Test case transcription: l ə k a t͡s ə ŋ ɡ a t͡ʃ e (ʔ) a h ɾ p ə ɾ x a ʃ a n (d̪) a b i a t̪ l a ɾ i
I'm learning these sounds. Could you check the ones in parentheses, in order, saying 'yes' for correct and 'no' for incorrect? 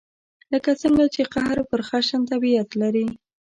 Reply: no, no

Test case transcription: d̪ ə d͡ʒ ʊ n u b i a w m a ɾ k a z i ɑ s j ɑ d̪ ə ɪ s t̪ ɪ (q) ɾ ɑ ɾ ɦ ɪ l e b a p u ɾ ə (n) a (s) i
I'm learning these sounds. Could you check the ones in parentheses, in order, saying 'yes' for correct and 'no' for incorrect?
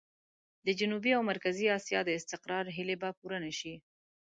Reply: yes, yes, no

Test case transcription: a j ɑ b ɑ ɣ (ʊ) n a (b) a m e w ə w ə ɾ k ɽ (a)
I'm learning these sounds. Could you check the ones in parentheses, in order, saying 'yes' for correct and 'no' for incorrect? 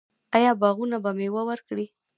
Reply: no, yes, no

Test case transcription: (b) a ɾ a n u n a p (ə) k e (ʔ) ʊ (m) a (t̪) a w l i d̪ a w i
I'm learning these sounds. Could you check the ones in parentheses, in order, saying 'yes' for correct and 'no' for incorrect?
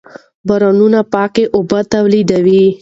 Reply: yes, no, yes, no, yes

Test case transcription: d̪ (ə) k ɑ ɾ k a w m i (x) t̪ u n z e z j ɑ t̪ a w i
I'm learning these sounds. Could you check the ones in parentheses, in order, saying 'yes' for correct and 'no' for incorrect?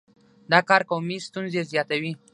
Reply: no, no

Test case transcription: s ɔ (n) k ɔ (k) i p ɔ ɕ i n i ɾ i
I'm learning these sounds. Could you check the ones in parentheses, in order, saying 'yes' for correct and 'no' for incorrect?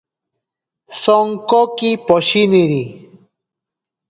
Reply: no, yes

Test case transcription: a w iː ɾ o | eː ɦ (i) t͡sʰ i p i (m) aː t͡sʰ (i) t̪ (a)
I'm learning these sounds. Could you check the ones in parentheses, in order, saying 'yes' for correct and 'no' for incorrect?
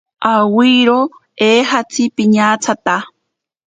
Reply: no, no, no, yes

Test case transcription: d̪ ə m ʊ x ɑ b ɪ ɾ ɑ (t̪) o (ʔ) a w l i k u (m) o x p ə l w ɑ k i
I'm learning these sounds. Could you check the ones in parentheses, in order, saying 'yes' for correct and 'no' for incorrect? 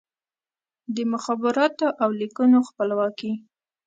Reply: yes, yes, no

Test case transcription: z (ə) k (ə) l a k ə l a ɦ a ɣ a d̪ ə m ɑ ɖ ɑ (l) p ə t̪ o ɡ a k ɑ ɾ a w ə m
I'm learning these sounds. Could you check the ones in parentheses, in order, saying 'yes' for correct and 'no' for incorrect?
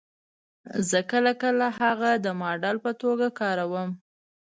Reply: yes, yes, yes

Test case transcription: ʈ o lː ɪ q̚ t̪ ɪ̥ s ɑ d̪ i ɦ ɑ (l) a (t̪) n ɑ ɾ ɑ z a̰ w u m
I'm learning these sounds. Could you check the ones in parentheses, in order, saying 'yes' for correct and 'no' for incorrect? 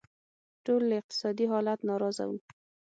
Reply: yes, yes

